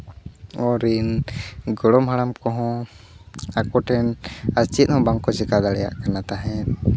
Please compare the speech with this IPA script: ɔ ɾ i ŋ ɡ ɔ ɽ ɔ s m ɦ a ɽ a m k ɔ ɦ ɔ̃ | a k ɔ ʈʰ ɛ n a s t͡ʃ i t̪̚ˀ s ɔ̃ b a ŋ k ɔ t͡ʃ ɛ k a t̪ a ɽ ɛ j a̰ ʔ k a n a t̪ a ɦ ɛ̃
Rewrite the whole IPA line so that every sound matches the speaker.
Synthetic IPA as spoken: ɔ ɾ i n ɡ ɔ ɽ ɔ m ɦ a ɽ a m k ɔ ɦ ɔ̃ | a k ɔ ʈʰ ɛ n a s t͡ʃ i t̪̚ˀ h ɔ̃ b a ŋ k ɔ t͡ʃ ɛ k a d̪ a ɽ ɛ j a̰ ʔ k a n a t̪ a ɦ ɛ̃